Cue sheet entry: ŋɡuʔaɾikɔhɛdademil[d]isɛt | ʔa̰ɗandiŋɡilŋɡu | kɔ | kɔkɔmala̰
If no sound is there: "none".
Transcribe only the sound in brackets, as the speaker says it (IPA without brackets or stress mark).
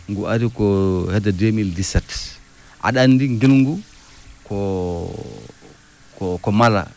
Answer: d